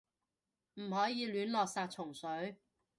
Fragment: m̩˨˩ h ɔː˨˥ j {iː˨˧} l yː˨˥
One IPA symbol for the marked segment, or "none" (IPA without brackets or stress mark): iː˨˧